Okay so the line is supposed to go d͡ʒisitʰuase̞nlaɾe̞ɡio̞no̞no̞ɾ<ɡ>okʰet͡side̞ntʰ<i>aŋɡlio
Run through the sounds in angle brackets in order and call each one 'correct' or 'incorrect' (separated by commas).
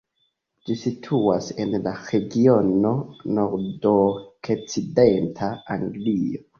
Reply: incorrect, incorrect